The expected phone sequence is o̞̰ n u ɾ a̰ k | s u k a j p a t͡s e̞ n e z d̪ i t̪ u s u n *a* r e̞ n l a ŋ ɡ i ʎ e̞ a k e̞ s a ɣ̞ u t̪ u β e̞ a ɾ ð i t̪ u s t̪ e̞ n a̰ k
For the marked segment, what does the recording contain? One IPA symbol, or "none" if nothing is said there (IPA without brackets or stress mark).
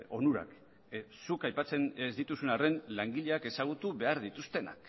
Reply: a